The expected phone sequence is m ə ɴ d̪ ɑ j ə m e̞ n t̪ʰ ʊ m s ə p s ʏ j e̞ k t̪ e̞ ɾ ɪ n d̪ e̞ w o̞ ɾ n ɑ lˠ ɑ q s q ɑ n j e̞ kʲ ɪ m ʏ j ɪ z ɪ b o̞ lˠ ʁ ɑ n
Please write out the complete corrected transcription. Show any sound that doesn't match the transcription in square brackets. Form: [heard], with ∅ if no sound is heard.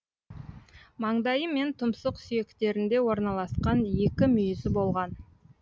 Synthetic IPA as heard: m [ɑ] ɴ d̪ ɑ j ə m e̞ n t̪ʰ ʊ m s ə [q] s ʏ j e̞ k t̪ e̞ ɾ ɪ n d̪ e̞ w o̞ ɾ n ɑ lˠ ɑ [∅] s q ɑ n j e̞ kʲ ɪ m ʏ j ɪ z ɪ b o̞ lˠ ʁ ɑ n